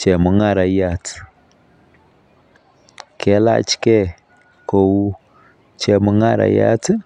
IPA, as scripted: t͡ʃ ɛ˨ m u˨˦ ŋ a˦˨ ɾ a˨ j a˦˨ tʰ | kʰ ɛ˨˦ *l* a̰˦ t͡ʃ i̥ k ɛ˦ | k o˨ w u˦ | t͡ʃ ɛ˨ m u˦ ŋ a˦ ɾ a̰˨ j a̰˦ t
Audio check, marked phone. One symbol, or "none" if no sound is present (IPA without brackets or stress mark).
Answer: l